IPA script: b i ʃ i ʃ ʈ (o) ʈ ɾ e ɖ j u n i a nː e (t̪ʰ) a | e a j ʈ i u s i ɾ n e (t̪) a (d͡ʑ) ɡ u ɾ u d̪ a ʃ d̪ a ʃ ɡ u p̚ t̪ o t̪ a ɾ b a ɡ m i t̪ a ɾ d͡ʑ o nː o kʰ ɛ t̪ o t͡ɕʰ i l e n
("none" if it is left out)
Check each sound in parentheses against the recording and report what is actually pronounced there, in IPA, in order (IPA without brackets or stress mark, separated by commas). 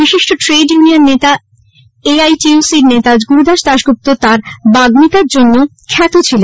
o, t̪, t̪, d͡ʑ